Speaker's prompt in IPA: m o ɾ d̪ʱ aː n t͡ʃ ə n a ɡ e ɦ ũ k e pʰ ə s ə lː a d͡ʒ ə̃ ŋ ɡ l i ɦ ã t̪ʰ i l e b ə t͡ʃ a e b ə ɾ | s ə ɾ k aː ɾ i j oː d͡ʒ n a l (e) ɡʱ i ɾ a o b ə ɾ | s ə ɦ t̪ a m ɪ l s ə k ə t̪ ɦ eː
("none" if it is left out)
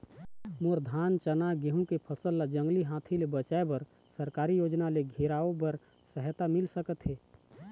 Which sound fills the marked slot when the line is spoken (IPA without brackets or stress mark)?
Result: e